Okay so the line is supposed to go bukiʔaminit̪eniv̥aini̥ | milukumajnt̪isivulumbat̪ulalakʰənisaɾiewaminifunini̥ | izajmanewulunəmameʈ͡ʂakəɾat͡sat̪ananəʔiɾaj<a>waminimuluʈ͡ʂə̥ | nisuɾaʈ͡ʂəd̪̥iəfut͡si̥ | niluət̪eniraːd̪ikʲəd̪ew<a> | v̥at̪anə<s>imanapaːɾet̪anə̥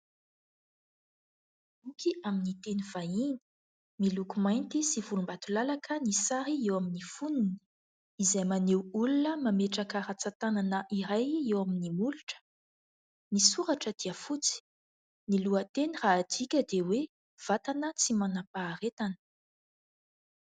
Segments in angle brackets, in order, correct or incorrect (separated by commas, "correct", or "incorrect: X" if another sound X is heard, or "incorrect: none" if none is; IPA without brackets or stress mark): incorrect: e, incorrect: e, incorrect: t͡s